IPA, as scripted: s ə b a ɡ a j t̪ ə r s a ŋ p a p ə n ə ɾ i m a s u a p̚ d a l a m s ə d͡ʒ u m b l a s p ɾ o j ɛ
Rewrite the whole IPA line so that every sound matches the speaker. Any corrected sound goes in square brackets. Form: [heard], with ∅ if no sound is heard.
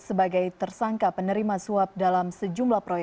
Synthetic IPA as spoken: s ə b a ɡ a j t̪ ə r s a ŋ [k] a p ə n ə ɾ i m a s u a p̚ d a l a m s ə d͡ʒ u m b l a [h] p ɾ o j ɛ